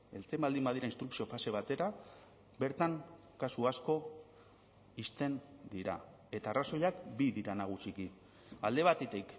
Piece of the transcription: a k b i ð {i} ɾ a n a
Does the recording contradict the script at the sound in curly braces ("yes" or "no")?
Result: no